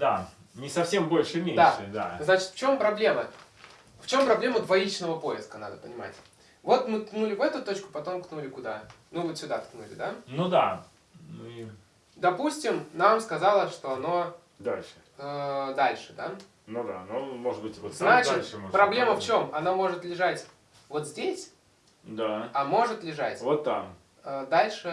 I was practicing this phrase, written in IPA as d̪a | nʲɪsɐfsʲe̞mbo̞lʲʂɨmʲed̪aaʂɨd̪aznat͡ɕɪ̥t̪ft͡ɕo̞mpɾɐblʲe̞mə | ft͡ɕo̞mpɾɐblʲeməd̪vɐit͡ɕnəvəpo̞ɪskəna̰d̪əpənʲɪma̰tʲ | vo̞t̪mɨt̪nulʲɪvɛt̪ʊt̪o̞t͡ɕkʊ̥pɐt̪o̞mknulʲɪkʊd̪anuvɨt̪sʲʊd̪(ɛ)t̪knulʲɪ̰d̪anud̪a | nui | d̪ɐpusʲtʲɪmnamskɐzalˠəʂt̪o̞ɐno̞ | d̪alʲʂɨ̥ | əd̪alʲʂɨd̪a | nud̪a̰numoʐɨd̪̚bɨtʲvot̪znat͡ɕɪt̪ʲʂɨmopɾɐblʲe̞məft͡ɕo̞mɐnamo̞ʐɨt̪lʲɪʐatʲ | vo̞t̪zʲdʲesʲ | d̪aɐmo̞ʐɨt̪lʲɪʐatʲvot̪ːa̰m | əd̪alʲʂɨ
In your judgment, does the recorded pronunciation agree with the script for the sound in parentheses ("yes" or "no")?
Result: no